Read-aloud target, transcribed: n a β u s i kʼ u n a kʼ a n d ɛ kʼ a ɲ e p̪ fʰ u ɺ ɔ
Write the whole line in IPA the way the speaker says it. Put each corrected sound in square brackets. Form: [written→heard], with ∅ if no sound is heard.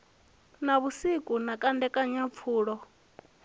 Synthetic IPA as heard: n a β u s i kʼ u n a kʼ a n d ɛ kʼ a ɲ [e→a] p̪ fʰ [u→uː] ɺ ɔ

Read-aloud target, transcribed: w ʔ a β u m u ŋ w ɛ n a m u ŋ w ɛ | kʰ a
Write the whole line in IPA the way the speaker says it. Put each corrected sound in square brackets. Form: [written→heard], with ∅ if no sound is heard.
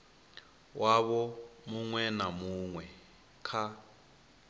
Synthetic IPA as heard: w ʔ a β [u→ɔ] m u ŋ w ɛ n a m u ŋ w ɛ | kʰ a

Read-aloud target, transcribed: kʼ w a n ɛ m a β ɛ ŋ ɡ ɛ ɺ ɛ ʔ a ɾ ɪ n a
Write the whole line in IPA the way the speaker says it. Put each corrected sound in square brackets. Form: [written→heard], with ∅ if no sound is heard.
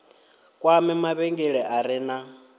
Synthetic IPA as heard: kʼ w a [n→m] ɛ m a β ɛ ŋ ɡ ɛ ɺ ɛ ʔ a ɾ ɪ n a

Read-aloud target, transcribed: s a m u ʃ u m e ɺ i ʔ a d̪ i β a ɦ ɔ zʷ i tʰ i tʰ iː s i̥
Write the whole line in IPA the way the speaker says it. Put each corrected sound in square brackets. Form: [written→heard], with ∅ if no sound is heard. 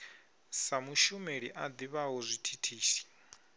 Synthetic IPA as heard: s a m u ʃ u m e ɺ i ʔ a d̪ i β a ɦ ɔ zʷ i tʰ i tʰ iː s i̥

